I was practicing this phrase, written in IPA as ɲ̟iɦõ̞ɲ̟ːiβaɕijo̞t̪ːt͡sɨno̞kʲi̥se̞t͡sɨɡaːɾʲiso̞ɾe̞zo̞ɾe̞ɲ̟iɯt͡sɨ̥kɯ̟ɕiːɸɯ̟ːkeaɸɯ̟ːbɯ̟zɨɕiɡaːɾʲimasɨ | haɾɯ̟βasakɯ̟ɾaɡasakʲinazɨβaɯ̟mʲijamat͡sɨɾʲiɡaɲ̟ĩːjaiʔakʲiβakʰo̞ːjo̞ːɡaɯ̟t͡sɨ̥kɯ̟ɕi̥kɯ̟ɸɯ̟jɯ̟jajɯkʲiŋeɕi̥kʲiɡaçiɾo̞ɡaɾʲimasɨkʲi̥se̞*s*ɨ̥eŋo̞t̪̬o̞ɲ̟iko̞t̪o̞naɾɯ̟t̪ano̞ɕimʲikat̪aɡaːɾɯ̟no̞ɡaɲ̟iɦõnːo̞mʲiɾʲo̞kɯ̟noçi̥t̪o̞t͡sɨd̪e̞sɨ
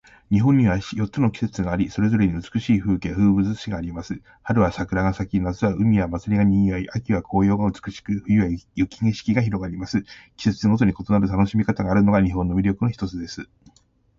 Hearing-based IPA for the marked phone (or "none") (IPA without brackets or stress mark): t͡s